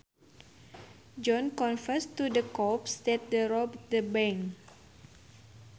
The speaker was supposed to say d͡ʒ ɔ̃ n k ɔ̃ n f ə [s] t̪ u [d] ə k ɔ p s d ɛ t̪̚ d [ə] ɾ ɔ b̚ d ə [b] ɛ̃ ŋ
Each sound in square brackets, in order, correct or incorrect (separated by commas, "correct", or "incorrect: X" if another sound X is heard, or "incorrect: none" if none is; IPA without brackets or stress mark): correct, correct, correct, correct